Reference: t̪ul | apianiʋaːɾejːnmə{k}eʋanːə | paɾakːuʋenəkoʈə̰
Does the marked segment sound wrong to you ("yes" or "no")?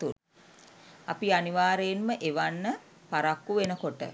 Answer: yes